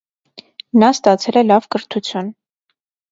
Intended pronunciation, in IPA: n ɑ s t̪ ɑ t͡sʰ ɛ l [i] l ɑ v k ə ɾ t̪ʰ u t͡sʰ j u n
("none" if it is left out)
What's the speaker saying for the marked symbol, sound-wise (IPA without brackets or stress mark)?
ɛ